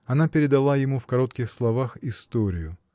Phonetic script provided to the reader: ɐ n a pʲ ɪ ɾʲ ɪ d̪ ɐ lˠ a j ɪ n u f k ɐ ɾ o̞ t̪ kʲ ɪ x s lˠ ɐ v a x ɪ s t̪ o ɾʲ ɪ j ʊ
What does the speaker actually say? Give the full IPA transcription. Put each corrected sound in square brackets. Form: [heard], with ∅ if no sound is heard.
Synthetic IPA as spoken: ɐ n a pʲ ɪ ɾʲ ɪ d̪ ɐ lˠ a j ɪ [m] u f k ɐ ɾ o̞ t̪ kʲ ɪ x s lˠ ɐ v a x ɪ s t̪ o ɾʲ ɪ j ʊ